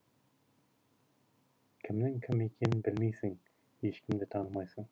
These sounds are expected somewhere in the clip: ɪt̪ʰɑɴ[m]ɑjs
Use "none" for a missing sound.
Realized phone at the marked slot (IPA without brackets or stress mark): m